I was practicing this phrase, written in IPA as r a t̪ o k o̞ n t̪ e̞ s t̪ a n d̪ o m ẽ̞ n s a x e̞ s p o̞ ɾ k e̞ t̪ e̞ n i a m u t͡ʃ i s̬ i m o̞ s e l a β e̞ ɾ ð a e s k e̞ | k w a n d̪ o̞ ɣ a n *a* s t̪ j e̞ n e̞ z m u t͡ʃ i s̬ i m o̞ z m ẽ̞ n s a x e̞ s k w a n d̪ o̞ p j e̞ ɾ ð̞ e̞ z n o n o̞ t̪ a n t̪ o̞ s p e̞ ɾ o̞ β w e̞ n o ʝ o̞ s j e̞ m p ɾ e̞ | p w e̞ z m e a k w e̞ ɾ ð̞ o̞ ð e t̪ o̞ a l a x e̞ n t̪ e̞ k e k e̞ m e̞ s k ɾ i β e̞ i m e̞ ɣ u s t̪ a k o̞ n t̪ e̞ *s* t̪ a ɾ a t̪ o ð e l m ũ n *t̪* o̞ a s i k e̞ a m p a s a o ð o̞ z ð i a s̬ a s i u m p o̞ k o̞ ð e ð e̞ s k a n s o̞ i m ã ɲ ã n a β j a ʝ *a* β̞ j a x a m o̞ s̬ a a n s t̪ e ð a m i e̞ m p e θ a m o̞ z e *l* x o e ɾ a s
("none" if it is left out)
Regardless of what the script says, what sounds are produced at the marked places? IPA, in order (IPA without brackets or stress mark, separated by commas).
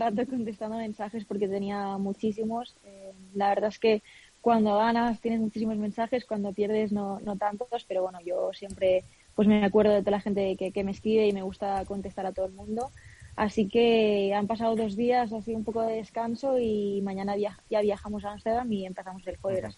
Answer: a, s, d̪, a, l